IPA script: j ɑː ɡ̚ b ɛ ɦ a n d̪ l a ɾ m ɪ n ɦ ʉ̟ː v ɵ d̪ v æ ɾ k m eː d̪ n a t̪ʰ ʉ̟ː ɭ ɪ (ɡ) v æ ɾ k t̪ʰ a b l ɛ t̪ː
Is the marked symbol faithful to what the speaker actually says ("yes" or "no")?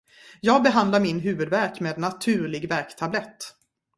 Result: yes